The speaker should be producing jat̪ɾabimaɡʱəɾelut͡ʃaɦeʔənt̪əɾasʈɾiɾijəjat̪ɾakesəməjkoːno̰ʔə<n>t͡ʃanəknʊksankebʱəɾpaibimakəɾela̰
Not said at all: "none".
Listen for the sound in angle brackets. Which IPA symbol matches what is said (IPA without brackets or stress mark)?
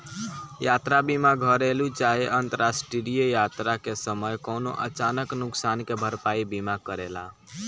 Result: none